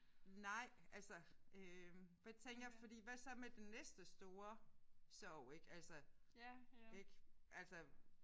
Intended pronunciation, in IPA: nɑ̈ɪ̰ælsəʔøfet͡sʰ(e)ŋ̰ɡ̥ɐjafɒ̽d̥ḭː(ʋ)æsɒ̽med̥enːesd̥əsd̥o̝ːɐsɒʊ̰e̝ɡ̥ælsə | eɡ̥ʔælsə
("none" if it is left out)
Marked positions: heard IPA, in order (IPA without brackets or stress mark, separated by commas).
e, ʋ